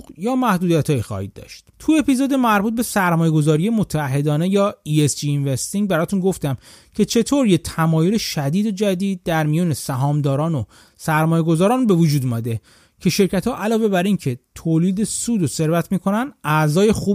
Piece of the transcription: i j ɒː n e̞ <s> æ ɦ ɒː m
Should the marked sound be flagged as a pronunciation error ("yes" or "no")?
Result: no